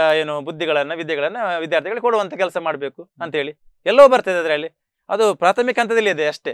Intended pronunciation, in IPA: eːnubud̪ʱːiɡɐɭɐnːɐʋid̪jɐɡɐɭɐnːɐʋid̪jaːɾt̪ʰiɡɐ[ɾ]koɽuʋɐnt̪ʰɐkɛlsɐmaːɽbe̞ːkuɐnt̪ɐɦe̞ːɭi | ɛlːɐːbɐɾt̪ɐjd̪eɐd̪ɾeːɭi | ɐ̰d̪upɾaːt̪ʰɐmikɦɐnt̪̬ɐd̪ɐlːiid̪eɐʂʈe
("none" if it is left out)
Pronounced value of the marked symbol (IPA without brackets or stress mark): ɭ